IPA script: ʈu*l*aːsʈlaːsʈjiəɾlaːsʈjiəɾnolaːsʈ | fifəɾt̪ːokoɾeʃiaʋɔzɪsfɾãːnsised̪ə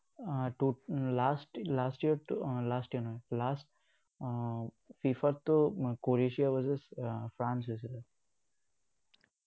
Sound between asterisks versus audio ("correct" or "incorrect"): correct